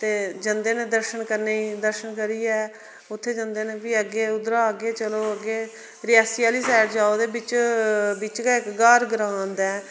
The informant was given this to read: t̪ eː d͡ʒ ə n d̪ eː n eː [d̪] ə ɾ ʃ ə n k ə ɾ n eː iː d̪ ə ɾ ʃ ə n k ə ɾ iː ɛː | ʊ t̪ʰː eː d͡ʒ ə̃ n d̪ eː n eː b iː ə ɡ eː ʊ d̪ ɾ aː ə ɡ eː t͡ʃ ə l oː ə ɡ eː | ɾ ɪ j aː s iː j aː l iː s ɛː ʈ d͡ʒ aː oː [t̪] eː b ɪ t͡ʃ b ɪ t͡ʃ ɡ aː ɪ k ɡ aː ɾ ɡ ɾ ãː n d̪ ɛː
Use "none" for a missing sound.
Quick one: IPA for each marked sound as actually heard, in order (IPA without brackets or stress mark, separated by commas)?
d̪, d̪